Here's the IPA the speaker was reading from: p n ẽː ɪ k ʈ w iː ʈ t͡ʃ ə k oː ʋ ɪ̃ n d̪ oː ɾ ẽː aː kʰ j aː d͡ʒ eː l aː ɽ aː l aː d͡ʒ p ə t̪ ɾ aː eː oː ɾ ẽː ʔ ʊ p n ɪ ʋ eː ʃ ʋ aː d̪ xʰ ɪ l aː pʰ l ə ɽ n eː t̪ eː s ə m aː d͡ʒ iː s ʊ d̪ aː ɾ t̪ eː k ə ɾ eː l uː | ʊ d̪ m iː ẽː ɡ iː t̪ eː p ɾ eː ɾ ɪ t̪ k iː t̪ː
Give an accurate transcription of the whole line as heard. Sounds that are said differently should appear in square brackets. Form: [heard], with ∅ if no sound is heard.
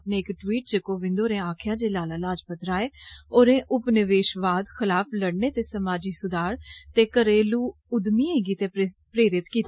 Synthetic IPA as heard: p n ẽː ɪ k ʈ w iː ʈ t͡ʃ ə k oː ʋ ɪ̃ n d̪ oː ɾ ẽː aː kʰ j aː d͡ʒ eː l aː [l] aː l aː d͡ʒ p ə t̪ ɾ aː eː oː ɾ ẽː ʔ ʊ p n ɪ ʋ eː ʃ ʋ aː d̪ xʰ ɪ l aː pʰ l ə ɽ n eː t̪ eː s ə m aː d͡ʒ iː s ʊ d̪ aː ɾ t̪ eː k ə ɾ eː l uː | ʊ d̪ m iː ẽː ɡ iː t̪ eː p ɾ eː ɾ ɪ t̪ k iː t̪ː